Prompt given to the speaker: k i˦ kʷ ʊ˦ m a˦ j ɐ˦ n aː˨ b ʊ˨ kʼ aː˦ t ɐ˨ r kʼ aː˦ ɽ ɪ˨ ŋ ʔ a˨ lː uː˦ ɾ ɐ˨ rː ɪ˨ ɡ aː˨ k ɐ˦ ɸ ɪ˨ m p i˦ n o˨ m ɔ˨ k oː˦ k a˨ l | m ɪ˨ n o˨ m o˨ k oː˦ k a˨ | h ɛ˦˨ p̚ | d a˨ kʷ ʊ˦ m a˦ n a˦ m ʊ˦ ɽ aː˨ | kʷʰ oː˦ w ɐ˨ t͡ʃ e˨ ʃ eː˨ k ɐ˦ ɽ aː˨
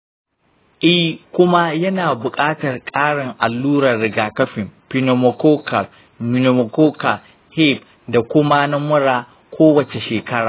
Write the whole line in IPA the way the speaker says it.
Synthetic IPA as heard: ʔ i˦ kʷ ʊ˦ m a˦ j ɐ˦ n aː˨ b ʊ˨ kʼ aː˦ t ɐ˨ r kʼ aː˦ ɽ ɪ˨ ŋ ʔ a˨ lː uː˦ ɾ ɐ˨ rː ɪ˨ ɡ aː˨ k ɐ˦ ɸ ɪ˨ m p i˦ n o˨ m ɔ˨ k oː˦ k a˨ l | m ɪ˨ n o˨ m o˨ k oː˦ k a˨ | h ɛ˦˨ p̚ | d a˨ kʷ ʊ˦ m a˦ n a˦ m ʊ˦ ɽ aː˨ | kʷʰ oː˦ w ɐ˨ t͡ʃ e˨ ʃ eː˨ k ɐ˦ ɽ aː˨